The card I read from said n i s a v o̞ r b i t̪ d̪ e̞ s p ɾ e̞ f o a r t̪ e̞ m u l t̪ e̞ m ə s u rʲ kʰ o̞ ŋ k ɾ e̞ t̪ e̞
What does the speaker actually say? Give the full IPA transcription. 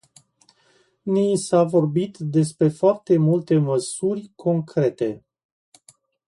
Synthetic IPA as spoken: n i s a v o̞ r b i t̪ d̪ e̞ s p ɾ e̞ f o a r t̪ e̞ m u l t̪ e̞ m ə s u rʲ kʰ o̞ ŋ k ɾ e̞ t̪ e̞